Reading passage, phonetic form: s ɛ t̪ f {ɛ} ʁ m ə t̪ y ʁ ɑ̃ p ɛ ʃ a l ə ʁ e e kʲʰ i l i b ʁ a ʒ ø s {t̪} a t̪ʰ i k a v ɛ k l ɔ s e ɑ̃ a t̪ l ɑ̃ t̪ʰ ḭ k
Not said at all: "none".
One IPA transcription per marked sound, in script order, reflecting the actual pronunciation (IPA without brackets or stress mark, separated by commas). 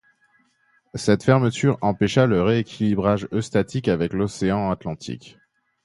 ɛ, t̪